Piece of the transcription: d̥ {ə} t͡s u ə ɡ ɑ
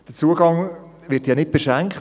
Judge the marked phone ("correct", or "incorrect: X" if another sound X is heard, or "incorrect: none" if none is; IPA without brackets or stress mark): correct